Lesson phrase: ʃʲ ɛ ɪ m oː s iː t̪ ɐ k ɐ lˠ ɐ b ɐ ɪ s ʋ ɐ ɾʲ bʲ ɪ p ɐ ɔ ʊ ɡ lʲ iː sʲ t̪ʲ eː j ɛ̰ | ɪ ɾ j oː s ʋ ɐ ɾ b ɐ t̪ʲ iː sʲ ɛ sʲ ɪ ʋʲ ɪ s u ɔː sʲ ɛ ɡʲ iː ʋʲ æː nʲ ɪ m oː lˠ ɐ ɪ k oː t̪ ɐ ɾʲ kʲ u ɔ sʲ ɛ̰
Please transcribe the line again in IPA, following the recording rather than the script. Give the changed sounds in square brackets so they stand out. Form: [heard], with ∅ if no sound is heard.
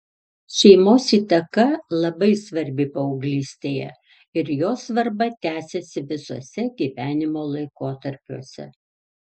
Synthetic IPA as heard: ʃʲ ɛ ɪ m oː s iː t̪ ɐ k ɐ lˠ ɐ b ɐ ɪ s ʋ ɐ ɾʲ bʲ ɪ p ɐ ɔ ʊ ɡ lʲ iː sʲ t̪ʲ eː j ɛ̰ | ɪ ɾ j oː s ʋ ɐ ɾ b ɐ t̪ʲ [æː] sʲ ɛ sʲ ɪ ʋʲ ɪ s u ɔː sʲ ɛ ɡʲ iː ʋʲ æː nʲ ɪ m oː lˠ ɐ ɪ k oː t̪ ɐ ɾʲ [pʲ] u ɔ sʲ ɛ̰